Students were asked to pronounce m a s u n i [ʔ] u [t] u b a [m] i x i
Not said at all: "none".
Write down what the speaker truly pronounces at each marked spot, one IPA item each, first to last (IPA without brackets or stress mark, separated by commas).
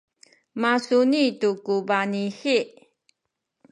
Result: t, k, n